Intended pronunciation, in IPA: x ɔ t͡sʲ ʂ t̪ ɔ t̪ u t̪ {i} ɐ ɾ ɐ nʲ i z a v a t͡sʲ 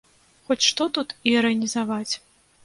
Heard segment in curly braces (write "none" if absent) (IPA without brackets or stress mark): i